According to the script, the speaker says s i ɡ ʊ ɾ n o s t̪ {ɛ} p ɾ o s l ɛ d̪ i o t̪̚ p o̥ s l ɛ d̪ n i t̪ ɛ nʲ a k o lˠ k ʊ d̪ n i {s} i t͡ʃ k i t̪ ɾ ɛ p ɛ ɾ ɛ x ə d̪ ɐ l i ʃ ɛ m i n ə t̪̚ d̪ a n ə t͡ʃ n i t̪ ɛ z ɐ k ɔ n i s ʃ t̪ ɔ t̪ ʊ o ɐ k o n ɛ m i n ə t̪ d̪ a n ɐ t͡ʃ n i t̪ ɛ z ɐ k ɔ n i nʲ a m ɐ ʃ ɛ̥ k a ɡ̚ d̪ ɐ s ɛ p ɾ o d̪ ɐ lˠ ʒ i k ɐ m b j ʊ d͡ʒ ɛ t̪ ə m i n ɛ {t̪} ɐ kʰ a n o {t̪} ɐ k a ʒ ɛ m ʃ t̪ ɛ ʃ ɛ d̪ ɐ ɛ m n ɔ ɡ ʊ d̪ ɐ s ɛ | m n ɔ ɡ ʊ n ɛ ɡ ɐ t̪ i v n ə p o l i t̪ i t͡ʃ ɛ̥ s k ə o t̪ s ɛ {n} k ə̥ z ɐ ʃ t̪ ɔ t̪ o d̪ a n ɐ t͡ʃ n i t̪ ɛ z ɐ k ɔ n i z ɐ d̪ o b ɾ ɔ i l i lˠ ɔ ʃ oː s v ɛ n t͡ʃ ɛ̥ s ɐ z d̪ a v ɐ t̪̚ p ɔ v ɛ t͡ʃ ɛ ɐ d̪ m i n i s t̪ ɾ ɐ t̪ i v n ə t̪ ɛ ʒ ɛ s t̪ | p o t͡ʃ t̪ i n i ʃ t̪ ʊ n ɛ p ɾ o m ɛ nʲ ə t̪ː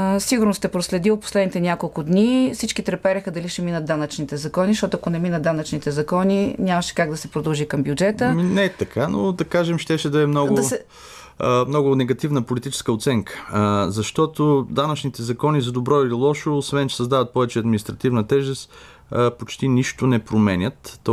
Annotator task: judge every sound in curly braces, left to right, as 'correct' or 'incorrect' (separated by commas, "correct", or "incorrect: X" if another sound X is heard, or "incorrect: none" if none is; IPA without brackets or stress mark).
correct, correct, correct, incorrect: d̪, incorrect: ŋ